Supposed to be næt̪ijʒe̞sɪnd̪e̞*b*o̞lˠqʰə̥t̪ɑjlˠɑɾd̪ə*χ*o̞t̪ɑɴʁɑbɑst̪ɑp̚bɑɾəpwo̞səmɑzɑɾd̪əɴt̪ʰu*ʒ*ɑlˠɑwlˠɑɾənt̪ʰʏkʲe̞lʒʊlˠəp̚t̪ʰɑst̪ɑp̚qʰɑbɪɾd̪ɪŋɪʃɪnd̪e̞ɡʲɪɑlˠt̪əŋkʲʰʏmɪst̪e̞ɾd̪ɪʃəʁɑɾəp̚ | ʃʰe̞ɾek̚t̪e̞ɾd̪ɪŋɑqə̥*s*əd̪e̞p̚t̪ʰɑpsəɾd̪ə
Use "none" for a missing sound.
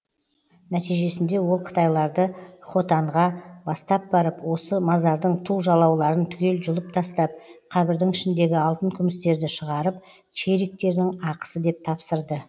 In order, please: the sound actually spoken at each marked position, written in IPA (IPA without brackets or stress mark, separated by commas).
w, χ, ʒ, s